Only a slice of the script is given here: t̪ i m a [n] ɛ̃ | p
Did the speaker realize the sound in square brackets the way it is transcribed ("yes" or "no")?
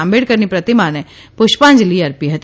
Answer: yes